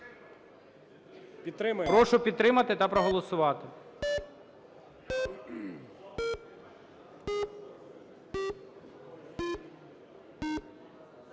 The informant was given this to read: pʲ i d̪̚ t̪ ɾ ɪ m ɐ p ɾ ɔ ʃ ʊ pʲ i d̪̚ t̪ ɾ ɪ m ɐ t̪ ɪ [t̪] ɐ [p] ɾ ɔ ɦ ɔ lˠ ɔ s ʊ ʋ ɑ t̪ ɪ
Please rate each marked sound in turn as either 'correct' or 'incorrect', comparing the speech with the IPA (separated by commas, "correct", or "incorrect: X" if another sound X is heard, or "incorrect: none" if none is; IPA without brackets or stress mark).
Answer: correct, correct